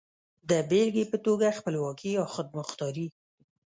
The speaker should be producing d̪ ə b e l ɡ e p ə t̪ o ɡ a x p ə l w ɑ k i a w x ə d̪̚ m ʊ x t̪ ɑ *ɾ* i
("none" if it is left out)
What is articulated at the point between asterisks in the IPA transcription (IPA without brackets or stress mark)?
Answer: ɾ